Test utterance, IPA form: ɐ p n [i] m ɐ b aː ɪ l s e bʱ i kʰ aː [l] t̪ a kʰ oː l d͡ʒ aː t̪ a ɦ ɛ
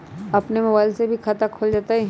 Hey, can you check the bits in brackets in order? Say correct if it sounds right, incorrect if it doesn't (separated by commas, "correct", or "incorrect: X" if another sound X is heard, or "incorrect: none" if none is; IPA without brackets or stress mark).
incorrect: e, incorrect: none